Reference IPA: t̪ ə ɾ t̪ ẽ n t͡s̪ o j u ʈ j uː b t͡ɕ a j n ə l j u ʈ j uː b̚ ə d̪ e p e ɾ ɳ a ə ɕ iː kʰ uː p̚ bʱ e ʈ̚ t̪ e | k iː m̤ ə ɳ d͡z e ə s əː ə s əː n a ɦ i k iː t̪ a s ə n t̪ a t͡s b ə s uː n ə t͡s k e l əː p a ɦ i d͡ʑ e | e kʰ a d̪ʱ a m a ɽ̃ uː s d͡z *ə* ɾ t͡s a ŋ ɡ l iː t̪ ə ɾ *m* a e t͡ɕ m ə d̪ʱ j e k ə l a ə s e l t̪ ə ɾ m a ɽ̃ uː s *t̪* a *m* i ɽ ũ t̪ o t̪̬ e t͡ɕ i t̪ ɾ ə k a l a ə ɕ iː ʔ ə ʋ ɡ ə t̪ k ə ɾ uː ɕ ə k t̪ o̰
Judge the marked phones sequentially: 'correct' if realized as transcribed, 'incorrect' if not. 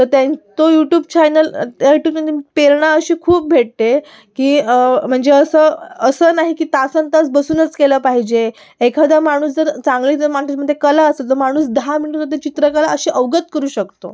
correct, correct, incorrect: d̪, correct

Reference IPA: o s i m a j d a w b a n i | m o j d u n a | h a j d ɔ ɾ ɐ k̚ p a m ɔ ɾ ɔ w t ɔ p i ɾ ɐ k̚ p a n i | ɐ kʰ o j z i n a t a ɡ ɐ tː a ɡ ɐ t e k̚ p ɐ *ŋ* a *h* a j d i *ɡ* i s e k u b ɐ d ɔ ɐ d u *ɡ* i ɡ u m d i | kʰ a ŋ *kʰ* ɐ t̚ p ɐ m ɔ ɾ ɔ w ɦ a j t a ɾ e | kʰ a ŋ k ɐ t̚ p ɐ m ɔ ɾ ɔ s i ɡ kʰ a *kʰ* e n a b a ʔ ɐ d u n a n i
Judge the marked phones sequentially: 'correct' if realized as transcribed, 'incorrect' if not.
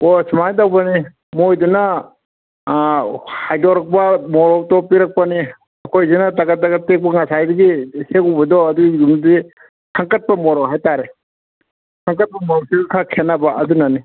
correct, incorrect: s, correct, correct, incorrect: k, correct

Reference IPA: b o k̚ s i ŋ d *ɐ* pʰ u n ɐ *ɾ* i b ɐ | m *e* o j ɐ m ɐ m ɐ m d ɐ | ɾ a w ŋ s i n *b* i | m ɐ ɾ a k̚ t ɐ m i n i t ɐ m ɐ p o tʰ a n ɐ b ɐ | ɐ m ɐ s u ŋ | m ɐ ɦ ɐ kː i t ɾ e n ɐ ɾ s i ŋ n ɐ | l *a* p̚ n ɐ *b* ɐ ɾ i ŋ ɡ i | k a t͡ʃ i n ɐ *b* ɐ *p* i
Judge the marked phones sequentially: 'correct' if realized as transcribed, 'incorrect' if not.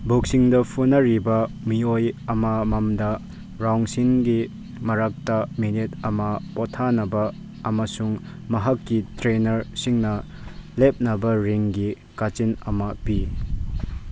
correct, correct, incorrect: i, incorrect: ɡ, incorrect: e, correct, incorrect: m, correct

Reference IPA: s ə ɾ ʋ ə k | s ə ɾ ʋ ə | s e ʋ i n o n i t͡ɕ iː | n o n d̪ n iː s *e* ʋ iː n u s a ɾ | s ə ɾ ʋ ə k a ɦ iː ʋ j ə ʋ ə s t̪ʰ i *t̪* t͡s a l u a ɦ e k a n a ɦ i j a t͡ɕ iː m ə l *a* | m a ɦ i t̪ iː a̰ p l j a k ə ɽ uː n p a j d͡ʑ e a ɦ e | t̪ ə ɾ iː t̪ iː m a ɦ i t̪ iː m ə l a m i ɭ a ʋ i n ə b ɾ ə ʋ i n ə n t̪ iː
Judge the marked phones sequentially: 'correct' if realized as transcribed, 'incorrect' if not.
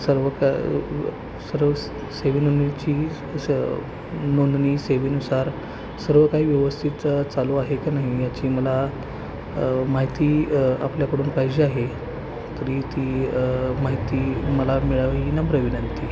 correct, correct, correct

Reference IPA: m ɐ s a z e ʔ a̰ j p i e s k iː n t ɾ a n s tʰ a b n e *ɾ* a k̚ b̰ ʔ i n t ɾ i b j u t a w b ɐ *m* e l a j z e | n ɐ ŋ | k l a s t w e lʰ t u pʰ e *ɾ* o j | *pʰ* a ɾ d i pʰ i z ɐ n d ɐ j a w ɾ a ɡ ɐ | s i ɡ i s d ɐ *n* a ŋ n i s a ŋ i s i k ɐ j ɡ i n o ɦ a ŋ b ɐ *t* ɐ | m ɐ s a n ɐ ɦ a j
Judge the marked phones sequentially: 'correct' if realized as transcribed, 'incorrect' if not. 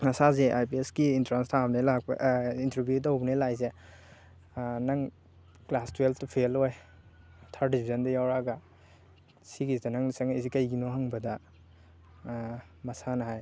incorrect: l, incorrect: n, incorrect: l, incorrect: tʰ, correct, incorrect: d

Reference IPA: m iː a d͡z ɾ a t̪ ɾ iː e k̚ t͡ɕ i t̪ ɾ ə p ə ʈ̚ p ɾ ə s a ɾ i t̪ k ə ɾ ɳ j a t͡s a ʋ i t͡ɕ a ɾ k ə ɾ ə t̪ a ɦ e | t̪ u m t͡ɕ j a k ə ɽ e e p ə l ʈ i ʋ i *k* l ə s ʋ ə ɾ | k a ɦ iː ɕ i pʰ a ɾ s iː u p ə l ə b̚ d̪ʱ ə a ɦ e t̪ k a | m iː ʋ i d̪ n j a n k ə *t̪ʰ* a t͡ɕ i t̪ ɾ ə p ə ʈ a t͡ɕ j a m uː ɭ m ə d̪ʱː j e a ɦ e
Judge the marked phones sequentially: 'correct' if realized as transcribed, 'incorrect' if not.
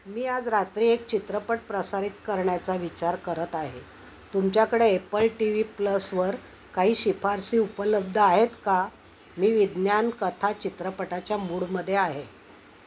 incorrect: p, correct

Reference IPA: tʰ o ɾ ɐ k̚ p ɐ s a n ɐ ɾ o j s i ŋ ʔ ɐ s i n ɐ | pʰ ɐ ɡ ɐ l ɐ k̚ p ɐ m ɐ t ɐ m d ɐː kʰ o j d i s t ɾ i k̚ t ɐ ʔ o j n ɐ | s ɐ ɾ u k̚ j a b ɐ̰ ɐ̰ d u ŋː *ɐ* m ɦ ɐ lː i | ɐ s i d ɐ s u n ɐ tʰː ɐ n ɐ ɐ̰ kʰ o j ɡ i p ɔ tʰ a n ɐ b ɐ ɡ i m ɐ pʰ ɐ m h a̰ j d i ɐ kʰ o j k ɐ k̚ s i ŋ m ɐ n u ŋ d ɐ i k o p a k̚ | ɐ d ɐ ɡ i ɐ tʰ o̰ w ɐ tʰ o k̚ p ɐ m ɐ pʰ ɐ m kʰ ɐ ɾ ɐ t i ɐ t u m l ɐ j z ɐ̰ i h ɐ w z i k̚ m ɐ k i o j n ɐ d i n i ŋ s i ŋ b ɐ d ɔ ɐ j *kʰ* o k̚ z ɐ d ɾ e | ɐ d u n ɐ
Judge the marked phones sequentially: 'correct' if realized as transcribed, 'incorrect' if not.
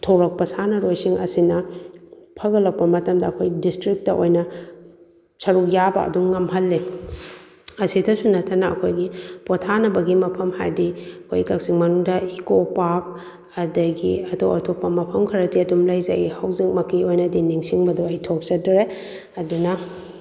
correct, incorrect: tʰ

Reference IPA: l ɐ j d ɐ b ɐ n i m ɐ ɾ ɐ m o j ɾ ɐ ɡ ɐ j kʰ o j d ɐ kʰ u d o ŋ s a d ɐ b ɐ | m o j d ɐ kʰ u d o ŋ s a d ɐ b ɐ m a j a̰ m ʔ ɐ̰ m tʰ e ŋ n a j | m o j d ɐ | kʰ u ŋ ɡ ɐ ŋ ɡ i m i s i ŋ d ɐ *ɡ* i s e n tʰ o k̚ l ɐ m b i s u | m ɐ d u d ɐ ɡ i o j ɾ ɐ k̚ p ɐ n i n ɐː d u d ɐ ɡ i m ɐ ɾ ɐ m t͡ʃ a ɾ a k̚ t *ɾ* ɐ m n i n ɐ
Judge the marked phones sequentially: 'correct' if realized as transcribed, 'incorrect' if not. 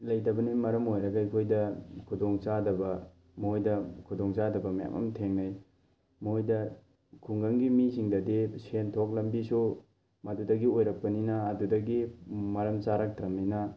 incorrect: d, correct

